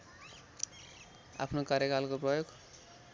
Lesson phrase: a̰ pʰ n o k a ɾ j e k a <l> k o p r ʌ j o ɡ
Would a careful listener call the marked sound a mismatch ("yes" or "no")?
no